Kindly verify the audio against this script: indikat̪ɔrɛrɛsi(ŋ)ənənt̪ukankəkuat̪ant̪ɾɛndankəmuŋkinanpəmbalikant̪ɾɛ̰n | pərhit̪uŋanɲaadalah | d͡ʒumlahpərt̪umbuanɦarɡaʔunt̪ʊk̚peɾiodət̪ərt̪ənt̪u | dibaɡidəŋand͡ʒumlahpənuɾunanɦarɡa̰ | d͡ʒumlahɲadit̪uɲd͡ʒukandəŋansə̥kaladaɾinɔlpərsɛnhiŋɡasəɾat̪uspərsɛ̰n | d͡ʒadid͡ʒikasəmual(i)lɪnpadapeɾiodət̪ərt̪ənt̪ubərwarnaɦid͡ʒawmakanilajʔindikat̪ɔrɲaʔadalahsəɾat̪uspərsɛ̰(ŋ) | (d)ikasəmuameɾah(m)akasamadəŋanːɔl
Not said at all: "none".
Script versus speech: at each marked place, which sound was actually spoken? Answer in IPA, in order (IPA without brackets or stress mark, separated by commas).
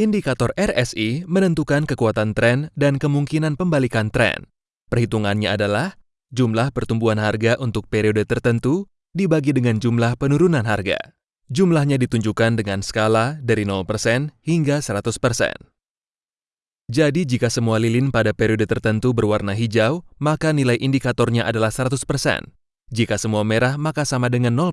m, i, n, d͡ʒ, m